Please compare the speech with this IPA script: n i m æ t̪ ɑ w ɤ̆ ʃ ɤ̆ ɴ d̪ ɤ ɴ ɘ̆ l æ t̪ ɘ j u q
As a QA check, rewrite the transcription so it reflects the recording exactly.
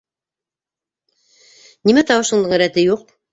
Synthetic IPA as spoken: n i m æ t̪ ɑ w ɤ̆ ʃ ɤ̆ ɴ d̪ ɤ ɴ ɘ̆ ɾ æ t̪ ɘ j u q